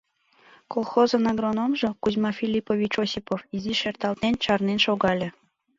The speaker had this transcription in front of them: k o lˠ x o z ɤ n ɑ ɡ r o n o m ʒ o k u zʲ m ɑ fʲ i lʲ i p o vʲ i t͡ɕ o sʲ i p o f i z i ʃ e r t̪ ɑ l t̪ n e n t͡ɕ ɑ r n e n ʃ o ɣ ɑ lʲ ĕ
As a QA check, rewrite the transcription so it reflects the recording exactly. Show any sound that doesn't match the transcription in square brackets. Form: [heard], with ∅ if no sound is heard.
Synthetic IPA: k o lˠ x o z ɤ n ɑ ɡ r o n o m ʒ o k u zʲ m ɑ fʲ i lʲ i p o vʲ i t͡ɕ o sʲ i p o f i z i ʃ e r t̪ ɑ l t̪ n e n t͡ɕ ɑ r n e n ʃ o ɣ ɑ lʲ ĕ